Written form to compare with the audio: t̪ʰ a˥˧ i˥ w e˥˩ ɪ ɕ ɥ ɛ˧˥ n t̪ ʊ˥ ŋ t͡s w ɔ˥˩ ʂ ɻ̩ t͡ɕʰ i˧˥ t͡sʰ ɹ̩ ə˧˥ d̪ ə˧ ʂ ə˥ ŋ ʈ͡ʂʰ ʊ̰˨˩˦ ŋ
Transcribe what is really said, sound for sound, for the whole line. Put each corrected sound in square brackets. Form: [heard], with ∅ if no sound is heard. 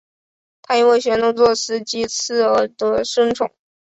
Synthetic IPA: t̪ʰ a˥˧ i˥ w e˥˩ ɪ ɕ ɥ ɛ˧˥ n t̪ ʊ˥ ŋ t͡s w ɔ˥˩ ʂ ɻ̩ [t͡ɕ] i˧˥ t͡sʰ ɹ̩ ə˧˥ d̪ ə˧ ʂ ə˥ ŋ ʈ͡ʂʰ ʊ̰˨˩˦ ŋ

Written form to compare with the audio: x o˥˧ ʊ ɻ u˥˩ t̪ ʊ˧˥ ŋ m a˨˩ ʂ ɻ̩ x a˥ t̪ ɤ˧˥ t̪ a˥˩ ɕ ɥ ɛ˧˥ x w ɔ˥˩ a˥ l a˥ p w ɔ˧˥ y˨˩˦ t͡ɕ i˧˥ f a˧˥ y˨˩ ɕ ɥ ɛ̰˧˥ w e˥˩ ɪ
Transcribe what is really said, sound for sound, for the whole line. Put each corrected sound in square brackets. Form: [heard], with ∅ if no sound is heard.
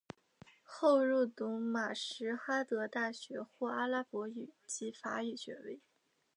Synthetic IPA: x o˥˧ ʊ ɻ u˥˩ t̪ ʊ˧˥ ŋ m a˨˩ ʂ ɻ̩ x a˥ t̪ ɤ˧˥ t̪ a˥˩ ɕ ɥ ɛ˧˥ x w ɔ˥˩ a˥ l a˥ p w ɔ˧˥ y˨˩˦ t͡ɕ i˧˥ f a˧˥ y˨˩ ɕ ɥ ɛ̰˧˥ w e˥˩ ɪ

